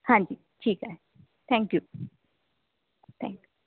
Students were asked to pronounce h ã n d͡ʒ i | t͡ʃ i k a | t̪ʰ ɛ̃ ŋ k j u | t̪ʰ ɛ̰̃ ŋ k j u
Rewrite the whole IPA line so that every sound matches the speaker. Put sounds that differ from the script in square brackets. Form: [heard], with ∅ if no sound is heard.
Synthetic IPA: h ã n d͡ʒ i | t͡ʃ i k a | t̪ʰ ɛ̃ ŋ k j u | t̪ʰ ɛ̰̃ ŋ k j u